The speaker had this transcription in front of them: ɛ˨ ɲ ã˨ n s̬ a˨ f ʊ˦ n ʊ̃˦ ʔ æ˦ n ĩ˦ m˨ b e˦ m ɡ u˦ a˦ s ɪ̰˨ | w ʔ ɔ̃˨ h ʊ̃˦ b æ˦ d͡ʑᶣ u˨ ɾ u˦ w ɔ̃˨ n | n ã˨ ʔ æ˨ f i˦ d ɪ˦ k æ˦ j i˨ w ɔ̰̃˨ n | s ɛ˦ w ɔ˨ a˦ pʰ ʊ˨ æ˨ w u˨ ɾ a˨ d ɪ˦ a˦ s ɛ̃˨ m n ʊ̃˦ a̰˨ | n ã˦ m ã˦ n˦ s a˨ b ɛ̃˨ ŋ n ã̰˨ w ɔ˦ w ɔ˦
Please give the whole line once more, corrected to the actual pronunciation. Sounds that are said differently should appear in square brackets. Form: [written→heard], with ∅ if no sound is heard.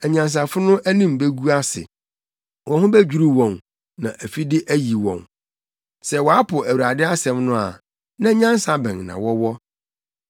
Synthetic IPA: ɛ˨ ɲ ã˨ n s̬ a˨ f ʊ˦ n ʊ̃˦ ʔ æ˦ n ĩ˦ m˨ b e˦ [m→∅] ɡ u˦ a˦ s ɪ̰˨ | w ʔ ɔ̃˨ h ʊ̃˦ b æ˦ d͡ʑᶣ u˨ ɾ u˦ w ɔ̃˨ n | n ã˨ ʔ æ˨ f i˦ d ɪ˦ [k→ʔ] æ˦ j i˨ w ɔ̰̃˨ n | s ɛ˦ w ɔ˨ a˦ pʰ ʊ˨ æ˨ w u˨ ɾ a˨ d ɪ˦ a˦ s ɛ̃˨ m n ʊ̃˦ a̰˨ | n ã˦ [m→ɲ] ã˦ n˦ s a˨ b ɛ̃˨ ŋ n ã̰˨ w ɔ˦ w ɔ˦